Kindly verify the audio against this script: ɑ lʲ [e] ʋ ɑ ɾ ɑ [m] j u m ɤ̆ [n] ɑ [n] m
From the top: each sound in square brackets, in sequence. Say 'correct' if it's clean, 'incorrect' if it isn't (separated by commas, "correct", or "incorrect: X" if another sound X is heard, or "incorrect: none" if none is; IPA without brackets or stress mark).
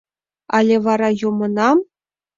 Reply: correct, incorrect: none, correct, incorrect: none